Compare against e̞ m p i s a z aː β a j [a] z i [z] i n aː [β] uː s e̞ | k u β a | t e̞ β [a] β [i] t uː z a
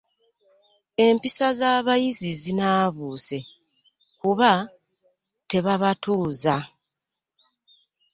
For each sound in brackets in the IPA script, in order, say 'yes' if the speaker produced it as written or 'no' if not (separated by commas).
no, yes, yes, yes, no